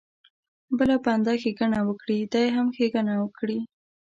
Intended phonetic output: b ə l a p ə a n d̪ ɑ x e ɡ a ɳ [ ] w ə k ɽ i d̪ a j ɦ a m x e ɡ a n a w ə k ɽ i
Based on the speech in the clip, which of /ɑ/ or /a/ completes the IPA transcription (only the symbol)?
a